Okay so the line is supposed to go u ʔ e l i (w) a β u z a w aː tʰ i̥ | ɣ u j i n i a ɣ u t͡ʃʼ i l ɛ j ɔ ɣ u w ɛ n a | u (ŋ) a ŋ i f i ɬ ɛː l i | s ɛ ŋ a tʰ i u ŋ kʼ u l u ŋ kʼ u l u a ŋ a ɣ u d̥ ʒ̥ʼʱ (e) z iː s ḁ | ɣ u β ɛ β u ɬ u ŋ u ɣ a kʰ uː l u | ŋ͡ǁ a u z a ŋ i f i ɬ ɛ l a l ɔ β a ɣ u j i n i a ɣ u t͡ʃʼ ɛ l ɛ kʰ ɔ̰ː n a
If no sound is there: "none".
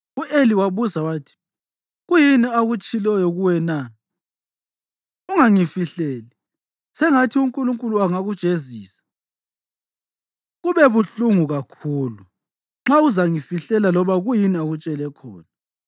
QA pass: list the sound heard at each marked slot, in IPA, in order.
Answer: w, ŋ, e

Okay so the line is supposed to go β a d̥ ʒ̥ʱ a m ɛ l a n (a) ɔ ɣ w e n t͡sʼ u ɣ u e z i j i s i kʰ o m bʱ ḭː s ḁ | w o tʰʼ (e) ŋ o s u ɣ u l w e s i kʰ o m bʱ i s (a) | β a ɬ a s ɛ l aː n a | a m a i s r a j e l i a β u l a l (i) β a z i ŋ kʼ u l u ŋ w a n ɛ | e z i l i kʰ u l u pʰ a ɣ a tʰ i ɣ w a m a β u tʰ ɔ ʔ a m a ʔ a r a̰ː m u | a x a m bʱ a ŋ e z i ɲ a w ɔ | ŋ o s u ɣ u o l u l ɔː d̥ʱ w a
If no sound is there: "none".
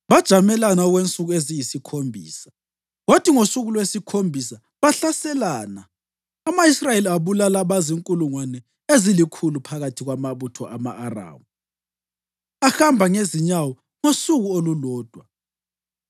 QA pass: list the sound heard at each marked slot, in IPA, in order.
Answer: a, i, a, a

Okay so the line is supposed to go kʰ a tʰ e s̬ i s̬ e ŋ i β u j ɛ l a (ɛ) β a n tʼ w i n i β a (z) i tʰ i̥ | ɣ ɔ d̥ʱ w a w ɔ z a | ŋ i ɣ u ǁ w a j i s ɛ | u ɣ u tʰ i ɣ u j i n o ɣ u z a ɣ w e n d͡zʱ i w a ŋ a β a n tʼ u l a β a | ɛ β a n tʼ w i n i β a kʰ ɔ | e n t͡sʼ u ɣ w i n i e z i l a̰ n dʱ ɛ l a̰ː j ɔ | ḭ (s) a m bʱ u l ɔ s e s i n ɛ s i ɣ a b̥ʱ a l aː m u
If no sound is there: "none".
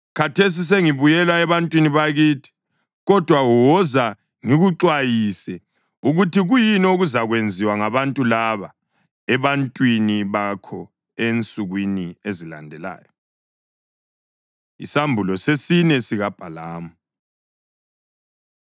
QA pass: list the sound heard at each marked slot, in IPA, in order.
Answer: ɛ, ɣ, s

